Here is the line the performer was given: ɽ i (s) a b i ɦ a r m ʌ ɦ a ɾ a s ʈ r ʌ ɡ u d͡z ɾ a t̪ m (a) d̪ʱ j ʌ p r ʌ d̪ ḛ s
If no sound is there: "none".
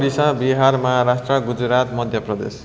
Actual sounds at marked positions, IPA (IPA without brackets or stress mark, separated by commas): s, ʌ